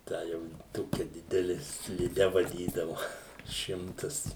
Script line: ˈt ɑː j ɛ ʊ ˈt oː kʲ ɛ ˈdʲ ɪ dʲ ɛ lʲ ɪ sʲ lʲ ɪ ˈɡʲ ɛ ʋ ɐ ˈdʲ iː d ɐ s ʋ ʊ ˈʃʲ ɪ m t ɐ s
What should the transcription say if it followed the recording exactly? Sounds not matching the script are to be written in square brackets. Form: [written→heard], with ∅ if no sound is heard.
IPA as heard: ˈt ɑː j ɛ ʊ ˈt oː kʲ ɛ ˈdʲ ɪ dʲ ɛ lʲ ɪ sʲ lʲ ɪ [ˈɡʲ→ˈdʲ] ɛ ʋ ɐ ˈdʲ iː d ɐ [s→∅] ʋ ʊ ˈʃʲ ɪ m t ɐ s